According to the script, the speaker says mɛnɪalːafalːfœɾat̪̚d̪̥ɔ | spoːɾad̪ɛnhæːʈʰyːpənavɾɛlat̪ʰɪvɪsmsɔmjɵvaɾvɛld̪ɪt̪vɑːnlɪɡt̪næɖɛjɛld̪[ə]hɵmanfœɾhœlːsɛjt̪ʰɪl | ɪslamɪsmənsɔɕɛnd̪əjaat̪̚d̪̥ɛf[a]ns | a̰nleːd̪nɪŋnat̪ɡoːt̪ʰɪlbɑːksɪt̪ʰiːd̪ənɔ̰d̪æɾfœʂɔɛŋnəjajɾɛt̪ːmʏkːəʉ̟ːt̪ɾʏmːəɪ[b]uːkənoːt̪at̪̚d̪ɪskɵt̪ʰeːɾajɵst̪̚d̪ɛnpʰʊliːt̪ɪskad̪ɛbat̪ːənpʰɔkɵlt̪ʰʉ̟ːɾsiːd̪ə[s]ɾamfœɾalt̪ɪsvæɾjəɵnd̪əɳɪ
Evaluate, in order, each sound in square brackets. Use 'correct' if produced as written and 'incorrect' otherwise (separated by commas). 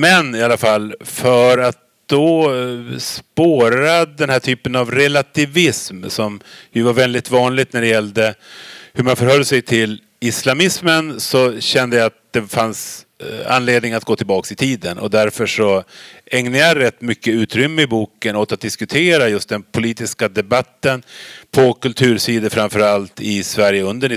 correct, correct, correct, incorrect